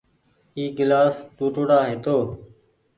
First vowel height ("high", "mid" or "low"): high